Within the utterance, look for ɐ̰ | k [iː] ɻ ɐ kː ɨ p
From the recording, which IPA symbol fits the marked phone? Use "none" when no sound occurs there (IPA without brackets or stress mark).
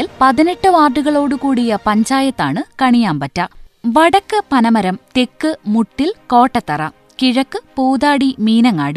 i